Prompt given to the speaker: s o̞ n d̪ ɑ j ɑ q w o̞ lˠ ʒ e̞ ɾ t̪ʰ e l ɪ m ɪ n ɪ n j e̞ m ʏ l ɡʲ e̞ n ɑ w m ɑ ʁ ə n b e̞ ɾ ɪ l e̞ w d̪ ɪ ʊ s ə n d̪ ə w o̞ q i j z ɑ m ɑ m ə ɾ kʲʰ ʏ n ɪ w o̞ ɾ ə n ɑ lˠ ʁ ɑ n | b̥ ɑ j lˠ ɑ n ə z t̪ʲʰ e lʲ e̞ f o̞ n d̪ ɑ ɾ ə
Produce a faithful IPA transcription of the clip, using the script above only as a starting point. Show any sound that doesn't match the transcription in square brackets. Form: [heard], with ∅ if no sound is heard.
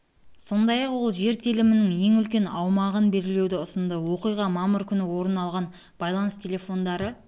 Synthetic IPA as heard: s o̞ n d̪ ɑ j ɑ q w o̞ lˠ ʒ e̞ ɾ t̪ʰ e l ɪ m ɪ n ɪ [ŋ] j e̞ [ŋ] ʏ l [kʲ] e̞ n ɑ w m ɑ ʁ ə n b e̞ ɾ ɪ l e̞ w d̪ ɪ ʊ s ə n d̪ ə w o̞ q i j [ʁ] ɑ m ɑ m ə ɾ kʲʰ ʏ n ɪ w o̞ ɾ ə n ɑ lˠ ʁ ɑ n | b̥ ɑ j lˠ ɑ n ə [s] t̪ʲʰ e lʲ e̞ f o̞ n d̪ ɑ ɾ ə